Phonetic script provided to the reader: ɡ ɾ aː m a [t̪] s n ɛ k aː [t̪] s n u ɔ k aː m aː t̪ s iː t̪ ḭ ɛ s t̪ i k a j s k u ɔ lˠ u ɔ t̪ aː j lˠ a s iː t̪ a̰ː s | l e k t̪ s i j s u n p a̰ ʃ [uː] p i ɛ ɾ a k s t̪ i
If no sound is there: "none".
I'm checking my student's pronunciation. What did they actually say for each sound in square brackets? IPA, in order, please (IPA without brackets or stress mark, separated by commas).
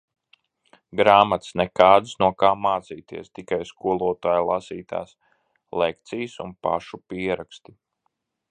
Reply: t̪, d̪, u